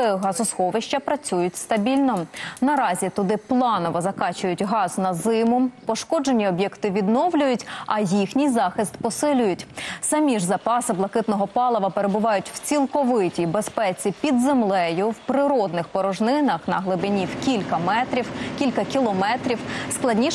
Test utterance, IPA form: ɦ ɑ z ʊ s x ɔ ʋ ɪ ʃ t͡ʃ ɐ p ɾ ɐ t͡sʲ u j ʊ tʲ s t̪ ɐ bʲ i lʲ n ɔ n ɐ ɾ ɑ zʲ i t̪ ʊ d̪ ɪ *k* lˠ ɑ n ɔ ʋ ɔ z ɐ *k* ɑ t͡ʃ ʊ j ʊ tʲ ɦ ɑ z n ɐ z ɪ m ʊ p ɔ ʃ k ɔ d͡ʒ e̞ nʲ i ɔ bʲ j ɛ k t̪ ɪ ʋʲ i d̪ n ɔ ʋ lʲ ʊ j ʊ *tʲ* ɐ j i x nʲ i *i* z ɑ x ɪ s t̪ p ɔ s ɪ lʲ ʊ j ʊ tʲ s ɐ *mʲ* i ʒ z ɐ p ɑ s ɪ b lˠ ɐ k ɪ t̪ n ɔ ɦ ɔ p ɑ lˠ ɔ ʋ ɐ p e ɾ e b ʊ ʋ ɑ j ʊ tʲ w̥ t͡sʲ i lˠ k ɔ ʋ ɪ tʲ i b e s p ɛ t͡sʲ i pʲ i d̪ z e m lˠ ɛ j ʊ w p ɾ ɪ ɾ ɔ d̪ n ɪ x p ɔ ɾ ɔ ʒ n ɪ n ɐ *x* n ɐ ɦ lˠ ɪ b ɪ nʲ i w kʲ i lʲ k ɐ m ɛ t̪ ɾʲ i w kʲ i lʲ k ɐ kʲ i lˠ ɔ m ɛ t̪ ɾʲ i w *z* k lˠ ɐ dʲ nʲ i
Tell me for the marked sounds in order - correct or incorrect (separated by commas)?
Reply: incorrect, correct, correct, incorrect, correct, correct, incorrect